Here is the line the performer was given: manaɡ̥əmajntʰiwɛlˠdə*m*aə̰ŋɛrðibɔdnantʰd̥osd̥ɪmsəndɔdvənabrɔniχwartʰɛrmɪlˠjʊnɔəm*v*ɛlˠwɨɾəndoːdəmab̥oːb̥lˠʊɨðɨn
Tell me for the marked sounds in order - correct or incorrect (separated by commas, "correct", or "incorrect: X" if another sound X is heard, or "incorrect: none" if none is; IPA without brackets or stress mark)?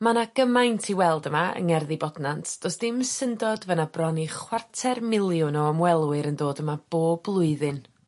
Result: correct, incorrect: w